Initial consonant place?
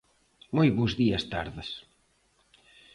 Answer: labial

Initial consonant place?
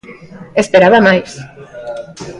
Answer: alveolar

